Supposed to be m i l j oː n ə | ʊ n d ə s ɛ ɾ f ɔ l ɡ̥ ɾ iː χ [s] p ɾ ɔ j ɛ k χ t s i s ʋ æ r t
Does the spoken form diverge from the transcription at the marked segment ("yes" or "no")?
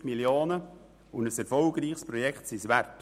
no